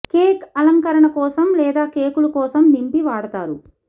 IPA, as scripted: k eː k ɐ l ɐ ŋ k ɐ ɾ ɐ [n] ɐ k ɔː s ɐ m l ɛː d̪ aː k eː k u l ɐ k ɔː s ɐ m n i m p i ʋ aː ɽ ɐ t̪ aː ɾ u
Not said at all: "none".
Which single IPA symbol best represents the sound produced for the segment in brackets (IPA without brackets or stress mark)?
ɳ